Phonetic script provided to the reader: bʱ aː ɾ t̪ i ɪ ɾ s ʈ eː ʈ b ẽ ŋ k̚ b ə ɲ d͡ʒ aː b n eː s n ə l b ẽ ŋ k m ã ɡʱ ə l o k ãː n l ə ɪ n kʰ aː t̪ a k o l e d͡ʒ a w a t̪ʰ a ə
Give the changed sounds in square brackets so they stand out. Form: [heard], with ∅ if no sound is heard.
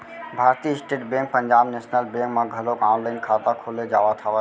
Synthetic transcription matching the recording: bʱ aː ɾ t̪ i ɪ [∅] s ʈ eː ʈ b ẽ ŋ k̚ [p] ə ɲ d͡ʒ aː b n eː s n ə l b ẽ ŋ k m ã ɡʱ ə l o k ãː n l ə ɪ n kʰ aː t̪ a [kʰ] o l e d͡ʒ a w a t̪ʰ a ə

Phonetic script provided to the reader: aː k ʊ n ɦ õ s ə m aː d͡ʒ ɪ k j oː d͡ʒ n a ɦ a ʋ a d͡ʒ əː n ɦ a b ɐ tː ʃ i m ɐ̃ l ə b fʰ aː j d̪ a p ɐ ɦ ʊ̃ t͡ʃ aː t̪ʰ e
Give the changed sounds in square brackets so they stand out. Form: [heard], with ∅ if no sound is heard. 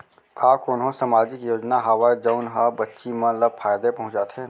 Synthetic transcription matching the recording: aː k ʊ n ɦ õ s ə m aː d͡ʒ ɪ k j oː d͡ʒ n a ɦ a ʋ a d͡ʒ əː n ɦ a b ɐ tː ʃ i m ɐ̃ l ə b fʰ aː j d̪ [e] p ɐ ɦ ʊ̃ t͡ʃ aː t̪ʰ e

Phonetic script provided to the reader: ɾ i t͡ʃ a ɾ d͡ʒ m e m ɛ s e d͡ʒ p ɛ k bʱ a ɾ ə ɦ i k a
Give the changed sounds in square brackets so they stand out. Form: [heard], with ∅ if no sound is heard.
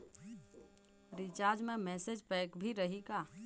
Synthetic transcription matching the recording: ɾ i t͡ʃ a ɾ d͡ʒ m e m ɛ s e d͡ʒ p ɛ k bʱ [i] ɾ ə ɦ i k a

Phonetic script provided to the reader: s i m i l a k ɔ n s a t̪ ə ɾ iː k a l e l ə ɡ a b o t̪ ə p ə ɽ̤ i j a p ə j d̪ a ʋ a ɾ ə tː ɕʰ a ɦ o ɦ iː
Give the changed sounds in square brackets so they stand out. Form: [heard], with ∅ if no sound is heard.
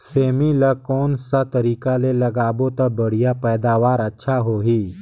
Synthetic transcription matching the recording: s [e] m i l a k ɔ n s a t̪ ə ɾ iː k a l e l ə ɡ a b o t̪ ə [b] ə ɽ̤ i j a p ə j d̪ a ʋ a ɾ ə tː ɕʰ a ɦ o ɦ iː

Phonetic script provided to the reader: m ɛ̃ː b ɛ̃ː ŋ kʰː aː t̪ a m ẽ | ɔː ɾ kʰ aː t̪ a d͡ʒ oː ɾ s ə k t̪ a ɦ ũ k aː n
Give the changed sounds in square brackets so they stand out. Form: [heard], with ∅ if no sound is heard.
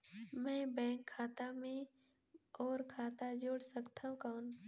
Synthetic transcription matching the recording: m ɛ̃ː b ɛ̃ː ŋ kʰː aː t̪ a m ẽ | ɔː ɾ kʰ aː t̪ a d͡ʒ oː [ɽ] s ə k t̪ a ɦ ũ k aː n

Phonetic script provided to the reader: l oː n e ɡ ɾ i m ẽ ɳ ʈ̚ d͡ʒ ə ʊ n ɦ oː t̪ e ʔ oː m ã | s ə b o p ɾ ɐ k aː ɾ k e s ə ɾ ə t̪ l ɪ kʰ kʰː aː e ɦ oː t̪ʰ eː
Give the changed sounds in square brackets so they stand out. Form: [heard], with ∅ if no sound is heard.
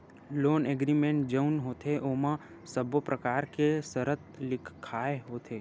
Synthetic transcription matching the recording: l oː n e ɡ ɾ i m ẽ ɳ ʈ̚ d͡ʒ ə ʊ n ɦ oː t̪ e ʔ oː m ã | s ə b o p ɾ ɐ k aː ɾ k e s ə ɾ ə t̪ l ɪ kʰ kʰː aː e ɦ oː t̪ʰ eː

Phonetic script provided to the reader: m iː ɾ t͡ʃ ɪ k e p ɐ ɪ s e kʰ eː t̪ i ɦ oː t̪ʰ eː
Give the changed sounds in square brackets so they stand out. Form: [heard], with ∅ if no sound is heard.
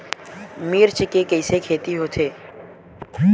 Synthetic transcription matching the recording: m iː ɾ t͡ʃ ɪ k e [k] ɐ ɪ s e kʰ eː t̪ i ɦ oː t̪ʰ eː

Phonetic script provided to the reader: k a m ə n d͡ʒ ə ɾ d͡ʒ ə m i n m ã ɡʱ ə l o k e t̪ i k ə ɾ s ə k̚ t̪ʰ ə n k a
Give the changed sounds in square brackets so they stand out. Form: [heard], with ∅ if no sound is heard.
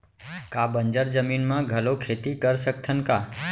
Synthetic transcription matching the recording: k a [b] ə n d͡ʒ ə ɾ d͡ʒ ə m i n m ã ɡʱ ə l o [kʰ] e t̪ i k ə ɾ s ə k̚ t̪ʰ ə n k a

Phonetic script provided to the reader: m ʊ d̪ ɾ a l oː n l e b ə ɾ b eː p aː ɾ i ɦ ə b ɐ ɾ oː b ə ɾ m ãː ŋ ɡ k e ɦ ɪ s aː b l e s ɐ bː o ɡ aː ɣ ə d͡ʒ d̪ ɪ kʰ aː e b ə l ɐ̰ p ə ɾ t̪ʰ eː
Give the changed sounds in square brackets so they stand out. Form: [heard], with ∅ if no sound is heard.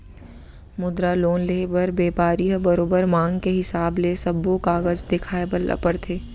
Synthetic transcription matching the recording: m ʊ d̪ ɾ a l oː n l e b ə ɾ b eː p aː ɾ i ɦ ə b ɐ ɾ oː b ə ɾ m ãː ŋ ɡ k e ɦ ɪ s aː b l e s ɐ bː o [k] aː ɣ ə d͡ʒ d̪ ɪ kʰ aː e b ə l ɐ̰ p ə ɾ t̪ʰ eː

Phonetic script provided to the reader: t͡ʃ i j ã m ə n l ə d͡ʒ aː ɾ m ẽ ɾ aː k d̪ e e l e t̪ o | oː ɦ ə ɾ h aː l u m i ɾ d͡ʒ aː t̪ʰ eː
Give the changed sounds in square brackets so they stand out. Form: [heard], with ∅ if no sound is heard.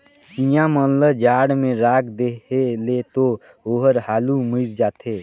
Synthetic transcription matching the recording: t͡ʃ i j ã m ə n l ə d͡ʒ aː [ɽ] m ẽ ɾ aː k d̪ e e l e t̪ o | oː ɦ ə ɾ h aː l u m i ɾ d͡ʒ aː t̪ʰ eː

